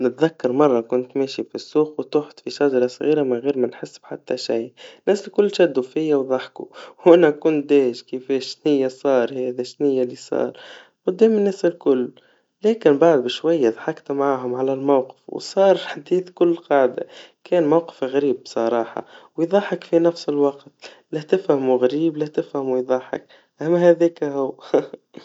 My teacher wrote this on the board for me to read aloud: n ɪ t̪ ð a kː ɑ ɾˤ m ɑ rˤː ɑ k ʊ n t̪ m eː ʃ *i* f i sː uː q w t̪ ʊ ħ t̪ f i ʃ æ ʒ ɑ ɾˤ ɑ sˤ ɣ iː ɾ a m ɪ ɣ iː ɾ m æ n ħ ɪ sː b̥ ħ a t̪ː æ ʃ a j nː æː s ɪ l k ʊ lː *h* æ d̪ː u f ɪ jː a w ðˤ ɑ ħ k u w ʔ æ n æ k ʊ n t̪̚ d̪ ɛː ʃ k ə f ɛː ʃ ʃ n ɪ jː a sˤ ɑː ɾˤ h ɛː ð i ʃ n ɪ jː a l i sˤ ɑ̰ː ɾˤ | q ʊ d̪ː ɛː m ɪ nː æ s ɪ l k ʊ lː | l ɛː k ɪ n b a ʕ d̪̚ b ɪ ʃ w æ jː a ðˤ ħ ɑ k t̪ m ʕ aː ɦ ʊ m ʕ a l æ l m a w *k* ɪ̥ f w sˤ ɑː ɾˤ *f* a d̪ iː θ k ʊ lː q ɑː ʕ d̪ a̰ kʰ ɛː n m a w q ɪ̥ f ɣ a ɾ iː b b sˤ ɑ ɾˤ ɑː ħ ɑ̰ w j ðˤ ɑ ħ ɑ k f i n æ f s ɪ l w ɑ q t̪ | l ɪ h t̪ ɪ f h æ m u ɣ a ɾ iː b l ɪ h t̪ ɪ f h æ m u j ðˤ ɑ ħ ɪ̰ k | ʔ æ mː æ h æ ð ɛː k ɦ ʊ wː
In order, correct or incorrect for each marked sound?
correct, incorrect, incorrect, incorrect

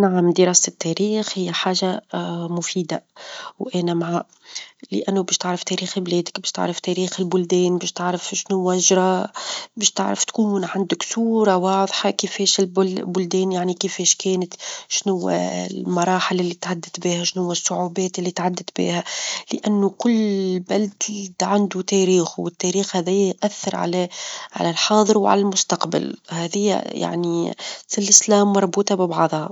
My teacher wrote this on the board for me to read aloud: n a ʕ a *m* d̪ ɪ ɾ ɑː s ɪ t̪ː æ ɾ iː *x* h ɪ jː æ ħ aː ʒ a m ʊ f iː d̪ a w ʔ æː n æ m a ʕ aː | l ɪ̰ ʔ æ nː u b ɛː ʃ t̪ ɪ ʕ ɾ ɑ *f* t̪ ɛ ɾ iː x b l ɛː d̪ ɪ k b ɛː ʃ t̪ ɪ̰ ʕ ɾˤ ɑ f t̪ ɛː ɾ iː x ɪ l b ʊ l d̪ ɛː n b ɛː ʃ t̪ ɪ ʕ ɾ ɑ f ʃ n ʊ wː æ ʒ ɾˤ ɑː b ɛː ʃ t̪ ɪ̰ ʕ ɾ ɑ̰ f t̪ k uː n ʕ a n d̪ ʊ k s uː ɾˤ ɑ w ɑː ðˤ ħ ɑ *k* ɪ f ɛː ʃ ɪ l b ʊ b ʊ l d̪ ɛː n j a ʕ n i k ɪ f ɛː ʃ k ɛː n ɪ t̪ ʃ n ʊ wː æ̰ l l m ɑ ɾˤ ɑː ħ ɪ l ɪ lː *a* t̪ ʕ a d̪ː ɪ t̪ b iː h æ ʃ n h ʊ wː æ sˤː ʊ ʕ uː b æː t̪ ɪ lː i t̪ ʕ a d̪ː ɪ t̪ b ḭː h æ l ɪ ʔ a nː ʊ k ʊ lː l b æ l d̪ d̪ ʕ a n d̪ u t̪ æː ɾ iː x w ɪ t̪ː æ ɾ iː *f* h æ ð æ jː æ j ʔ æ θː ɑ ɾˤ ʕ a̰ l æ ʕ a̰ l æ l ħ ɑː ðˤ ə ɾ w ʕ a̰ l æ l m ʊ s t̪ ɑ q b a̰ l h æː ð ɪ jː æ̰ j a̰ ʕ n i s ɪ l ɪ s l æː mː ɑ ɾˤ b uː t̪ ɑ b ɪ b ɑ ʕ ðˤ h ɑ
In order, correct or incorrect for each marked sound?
correct, correct, correct, correct, incorrect, incorrect

